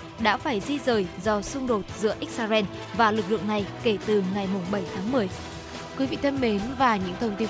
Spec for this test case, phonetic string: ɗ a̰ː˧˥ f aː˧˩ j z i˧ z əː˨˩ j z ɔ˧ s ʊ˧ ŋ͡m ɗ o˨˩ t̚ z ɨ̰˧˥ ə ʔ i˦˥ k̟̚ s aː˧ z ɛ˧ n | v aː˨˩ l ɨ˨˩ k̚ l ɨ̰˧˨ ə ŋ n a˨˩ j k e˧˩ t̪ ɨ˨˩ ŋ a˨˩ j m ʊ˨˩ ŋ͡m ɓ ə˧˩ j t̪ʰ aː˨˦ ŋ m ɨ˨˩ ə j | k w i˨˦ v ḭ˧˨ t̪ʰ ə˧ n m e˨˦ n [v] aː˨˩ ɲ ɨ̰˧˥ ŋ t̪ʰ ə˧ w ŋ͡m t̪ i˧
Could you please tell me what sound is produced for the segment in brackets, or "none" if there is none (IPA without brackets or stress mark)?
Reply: v